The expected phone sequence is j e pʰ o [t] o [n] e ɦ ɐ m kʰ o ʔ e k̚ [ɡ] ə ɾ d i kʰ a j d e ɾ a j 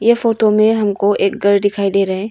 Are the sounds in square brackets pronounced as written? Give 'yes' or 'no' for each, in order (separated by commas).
yes, no, yes